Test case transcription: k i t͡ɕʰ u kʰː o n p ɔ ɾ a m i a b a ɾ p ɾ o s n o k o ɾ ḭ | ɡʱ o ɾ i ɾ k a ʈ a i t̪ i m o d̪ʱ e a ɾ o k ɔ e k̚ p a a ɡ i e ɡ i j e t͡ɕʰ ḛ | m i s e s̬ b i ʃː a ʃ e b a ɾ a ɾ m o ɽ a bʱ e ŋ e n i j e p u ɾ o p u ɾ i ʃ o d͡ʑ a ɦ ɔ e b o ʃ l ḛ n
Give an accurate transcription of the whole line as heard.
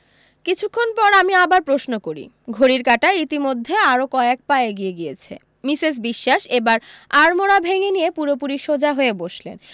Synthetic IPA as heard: k i t͡ɕʰ u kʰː o n p ɔ ɾ a m i a b a ɾ p ɾ o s n o k o ɾ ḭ | ɡʱ o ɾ i ɾ k a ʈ a i t̪ i m o d̪ʱː e a ɾ o k ɔ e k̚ p a e ɡ i e ɡ i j e t͡ɕʰ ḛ | m i s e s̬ b i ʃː a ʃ e b a ɾ a ɾ m o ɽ a bʱ e ŋ e n i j e p u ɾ o p u ɾ i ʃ o d͡ʑ a ɦ o e b o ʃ l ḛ n